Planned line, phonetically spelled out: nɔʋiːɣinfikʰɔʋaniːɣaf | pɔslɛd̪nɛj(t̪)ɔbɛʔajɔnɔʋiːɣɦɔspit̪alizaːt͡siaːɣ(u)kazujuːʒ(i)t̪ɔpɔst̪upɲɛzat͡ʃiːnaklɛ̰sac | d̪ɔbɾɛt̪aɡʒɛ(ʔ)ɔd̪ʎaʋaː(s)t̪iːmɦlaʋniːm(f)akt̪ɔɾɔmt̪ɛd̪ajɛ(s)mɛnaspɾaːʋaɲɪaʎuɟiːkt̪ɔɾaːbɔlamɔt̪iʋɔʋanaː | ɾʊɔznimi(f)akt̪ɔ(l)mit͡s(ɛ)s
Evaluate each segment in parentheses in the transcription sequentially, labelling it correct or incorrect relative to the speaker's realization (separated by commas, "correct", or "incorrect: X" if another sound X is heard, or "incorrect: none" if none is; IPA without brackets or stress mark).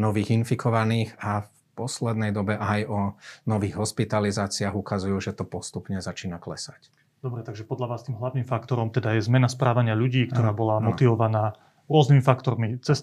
incorrect: d̪, correct, incorrect: ɛ, incorrect: p, correct, correct, incorrect: z, correct, incorrect: ɾ, correct